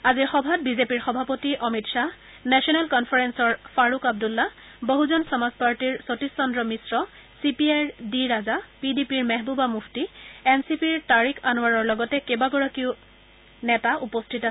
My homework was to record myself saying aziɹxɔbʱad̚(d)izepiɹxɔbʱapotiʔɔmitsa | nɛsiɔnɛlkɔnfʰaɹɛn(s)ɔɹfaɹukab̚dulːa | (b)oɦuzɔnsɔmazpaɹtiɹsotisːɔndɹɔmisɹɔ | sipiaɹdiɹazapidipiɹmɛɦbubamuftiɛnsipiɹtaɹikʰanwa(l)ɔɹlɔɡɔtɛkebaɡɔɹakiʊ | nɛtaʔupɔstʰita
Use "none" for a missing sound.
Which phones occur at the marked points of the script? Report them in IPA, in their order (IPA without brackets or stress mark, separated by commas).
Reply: b, s, b, ɹ